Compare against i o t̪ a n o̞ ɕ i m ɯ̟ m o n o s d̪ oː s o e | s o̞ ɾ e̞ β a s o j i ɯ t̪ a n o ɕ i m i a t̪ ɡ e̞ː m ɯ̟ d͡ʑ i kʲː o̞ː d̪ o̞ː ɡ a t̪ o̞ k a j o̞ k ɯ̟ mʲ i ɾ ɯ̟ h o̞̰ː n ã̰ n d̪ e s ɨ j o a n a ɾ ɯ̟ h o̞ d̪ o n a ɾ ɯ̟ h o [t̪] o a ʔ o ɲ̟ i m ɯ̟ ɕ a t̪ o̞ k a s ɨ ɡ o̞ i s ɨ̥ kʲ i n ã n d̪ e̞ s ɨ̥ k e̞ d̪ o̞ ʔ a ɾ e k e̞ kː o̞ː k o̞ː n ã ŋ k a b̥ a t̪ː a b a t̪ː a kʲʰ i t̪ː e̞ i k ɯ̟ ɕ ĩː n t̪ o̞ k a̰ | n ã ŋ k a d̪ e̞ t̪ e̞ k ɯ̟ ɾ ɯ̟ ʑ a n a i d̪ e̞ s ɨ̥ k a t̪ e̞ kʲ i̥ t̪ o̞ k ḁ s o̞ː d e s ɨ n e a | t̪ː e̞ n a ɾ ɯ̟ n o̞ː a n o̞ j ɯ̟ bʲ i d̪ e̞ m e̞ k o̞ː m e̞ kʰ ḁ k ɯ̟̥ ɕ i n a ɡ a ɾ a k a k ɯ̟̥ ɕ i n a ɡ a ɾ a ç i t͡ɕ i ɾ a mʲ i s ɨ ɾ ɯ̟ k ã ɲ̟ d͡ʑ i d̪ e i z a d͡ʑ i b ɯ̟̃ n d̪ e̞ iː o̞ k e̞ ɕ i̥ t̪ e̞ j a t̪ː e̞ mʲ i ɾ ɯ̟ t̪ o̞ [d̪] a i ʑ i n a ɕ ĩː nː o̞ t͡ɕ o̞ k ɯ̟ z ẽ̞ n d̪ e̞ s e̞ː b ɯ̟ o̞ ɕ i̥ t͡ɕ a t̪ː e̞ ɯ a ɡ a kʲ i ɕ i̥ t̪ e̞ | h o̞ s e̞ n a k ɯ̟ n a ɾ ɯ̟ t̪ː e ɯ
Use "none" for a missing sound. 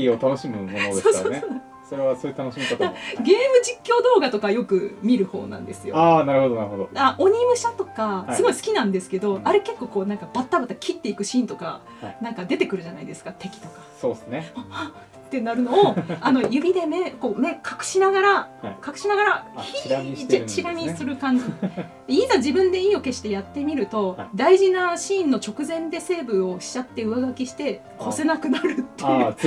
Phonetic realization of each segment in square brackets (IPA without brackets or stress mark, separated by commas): d̪, d̪